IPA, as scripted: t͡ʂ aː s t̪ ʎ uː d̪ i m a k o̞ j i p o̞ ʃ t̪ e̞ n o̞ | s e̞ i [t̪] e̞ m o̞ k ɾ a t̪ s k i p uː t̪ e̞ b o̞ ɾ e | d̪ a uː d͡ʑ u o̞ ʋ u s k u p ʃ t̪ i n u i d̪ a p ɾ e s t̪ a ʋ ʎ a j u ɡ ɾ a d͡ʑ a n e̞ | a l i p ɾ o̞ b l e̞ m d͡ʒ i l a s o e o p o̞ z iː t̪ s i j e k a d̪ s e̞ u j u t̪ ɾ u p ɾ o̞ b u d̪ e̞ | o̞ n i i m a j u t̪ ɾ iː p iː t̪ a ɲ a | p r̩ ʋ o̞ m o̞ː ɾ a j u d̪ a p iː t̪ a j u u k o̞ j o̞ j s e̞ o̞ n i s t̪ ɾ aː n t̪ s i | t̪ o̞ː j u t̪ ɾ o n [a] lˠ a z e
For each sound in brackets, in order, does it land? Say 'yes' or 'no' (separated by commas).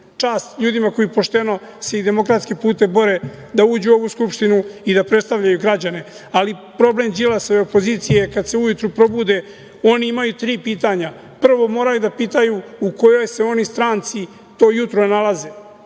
no, yes